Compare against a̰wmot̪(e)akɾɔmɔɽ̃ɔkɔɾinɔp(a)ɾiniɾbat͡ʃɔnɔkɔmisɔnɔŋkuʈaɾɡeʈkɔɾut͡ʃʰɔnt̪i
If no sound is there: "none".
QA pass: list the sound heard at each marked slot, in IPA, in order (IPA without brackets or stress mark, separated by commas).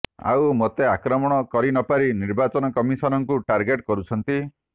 e, a